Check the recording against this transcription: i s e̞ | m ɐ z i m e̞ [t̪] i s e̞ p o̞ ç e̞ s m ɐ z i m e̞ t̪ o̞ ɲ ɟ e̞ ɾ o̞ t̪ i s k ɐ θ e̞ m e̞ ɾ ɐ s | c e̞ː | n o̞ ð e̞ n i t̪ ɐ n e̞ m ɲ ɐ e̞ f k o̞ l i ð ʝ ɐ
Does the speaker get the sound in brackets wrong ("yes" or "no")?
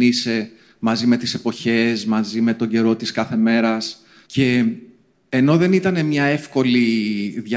no